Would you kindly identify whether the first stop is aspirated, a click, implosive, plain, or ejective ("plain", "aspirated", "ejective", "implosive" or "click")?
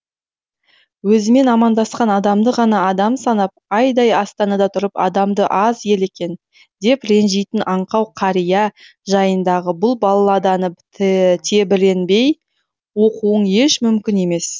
plain